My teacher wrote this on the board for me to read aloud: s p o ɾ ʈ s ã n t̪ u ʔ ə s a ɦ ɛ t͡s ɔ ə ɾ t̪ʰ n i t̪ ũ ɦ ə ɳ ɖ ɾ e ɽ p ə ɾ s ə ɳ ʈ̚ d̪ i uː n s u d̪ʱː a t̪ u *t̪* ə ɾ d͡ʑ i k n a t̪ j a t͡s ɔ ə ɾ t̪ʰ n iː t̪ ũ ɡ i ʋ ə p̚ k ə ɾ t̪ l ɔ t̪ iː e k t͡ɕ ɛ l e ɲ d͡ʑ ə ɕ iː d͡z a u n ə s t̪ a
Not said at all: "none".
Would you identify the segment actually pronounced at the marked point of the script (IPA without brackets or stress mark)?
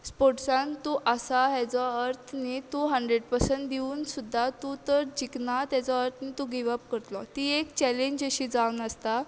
t̪